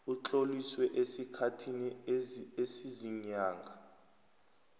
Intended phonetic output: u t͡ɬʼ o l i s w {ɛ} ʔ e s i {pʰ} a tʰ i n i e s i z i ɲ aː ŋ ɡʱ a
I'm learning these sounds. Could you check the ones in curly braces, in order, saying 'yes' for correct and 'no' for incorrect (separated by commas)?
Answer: yes, no